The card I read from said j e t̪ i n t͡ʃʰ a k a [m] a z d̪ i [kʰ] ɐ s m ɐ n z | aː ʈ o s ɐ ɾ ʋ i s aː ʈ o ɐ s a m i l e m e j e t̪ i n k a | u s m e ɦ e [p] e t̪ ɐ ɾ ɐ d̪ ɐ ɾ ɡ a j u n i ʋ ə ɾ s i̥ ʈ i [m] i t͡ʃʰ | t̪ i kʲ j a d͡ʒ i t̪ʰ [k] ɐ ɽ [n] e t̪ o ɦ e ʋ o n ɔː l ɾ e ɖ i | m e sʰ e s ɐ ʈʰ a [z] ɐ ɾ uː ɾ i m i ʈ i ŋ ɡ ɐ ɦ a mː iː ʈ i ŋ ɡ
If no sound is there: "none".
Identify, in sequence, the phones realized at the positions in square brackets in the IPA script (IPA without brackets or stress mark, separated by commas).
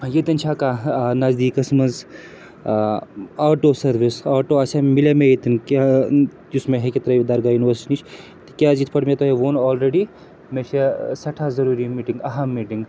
n, k, k, n, p, m, z